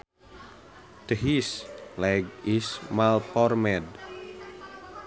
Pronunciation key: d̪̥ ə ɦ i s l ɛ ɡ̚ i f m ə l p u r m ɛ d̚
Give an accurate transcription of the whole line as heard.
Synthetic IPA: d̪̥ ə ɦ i s l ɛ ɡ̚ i s m a l p ɔ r m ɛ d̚